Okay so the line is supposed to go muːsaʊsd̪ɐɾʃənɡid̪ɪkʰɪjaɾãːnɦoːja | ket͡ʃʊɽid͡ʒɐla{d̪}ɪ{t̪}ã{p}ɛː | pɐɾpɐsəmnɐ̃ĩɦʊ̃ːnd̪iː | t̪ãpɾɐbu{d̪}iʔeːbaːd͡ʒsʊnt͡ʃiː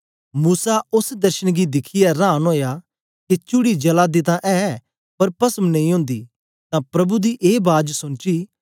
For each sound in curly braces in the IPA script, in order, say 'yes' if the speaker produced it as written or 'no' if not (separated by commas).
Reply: yes, yes, no, yes